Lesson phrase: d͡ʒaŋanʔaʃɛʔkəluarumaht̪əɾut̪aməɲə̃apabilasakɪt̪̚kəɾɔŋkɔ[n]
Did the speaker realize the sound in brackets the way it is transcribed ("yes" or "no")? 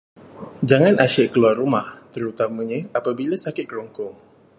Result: no